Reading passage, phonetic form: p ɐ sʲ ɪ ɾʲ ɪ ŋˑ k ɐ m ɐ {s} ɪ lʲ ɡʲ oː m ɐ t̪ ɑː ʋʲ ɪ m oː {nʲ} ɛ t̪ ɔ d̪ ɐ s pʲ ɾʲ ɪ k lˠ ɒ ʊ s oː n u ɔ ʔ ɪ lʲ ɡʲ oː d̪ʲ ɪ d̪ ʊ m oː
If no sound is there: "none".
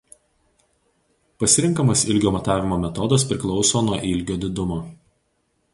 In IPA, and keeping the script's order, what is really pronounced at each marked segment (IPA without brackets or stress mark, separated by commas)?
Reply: s, mʲ